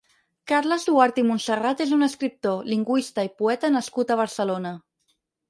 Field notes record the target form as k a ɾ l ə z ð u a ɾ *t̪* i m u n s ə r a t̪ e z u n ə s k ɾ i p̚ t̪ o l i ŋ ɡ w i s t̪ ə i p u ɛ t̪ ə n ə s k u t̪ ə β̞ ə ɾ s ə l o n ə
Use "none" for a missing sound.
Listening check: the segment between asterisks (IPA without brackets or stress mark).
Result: t̪